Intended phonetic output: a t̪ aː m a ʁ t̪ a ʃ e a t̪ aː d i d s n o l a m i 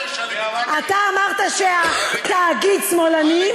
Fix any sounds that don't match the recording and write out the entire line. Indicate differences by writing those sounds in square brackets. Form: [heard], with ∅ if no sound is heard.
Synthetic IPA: a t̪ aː m a ʁ t̪ a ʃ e a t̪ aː [ɡ] i d s [m] o l a [n] i